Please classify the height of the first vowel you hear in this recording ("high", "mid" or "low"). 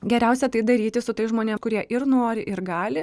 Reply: mid